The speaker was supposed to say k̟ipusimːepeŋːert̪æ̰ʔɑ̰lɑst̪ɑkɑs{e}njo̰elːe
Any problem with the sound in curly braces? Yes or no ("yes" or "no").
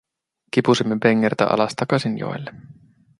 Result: yes